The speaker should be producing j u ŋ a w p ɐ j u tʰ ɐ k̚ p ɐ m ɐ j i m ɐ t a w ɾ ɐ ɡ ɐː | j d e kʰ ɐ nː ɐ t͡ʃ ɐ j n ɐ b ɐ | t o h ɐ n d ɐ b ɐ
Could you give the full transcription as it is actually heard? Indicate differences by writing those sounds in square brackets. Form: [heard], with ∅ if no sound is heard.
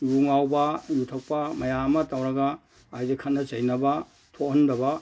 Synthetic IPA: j u ŋ a w [b] ɐ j u tʰ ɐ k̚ p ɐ m ɐ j [a] m ɐ t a w ɾ ɐ ɡ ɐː | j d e kʰ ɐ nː ɐ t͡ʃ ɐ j n ɐ b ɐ | [tʰ] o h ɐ n d ɐ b ɐ